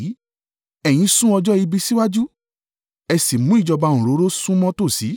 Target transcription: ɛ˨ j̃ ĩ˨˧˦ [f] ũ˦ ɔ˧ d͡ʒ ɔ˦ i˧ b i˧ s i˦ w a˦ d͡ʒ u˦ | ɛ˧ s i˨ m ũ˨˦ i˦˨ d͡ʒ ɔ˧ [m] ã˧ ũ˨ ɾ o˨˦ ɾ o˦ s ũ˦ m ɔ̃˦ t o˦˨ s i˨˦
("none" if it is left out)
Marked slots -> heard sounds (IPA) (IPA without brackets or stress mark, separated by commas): s, b